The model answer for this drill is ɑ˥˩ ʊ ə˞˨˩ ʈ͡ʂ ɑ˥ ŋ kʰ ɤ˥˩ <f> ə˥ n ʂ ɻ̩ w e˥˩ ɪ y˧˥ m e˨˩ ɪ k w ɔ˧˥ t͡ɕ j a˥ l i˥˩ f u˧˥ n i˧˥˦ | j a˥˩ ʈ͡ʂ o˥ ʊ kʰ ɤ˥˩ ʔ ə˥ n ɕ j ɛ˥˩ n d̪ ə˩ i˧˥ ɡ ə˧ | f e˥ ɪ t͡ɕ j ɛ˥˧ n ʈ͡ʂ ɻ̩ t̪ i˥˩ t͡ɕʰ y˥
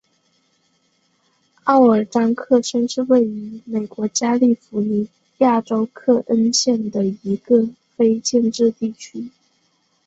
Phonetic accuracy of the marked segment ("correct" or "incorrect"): incorrect